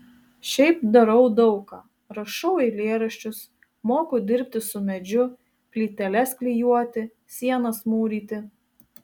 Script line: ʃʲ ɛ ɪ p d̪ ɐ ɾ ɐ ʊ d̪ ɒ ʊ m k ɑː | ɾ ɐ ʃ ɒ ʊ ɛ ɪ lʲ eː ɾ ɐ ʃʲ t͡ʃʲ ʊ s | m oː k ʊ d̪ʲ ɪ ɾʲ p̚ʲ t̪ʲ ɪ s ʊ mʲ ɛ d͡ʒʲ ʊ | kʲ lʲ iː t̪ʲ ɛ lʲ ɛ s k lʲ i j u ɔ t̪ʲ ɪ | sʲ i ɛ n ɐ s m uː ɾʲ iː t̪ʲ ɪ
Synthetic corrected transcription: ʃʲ ɛ ɪ p d̪ ɐ ɾ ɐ ʊ d̪ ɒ ʊ k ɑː | ɾ ɐ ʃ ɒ ʊ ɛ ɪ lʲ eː ɾ ɐ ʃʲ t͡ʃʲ ʊ s | m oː k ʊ d̪ʲ ɪ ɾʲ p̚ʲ t̪ʲ ɪ s ʊ mʲ ɛ d͡ʒʲ ʊ | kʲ lʲ iː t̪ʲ ɛ lʲ ɛ s k lʲ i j u ɔ t̪ʲ ɪ | sʲ i ɛ n ɐ s m uː ɾʲ iː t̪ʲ ɪ